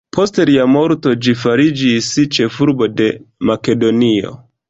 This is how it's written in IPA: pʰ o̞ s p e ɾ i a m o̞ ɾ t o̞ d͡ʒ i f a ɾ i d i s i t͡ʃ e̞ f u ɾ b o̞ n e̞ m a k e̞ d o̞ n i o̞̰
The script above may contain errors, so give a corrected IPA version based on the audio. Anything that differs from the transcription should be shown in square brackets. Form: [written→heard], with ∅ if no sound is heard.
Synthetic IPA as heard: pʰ o̞ s [p→t] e ɾ i a m o̞ ɾ t o̞ d͡ʒ i f a ɾ i [d→d͡ʒ] i s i t͡ʃ e̞ f u ɾ b o̞ [n→d] e̞ m a k e̞ d o̞ n i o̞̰